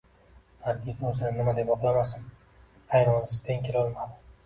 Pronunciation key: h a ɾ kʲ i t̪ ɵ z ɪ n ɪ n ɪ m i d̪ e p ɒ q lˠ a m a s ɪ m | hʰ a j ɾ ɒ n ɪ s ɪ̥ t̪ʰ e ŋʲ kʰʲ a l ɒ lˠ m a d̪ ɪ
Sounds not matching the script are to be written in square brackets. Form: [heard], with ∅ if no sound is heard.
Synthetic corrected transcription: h a ɾ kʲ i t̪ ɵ z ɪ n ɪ n ɪ m [a] d̪ e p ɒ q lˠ a m a s ɪ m | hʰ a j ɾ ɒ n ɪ s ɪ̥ t̪ʰ e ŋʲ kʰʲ [e] l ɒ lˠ m a d̪ ɪ